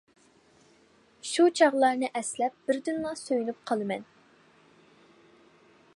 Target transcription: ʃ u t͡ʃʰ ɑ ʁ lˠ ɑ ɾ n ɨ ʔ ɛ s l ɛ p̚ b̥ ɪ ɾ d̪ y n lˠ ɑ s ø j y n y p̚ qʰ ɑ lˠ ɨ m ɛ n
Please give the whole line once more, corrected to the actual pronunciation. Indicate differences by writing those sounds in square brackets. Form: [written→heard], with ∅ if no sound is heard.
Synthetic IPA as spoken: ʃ u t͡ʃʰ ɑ ʁ lˠ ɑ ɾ n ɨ ʔ ɛ s l ɛ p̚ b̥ ɪ ɾ d̪ y n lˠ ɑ s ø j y n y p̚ qʰ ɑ lˠ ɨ m ɛ n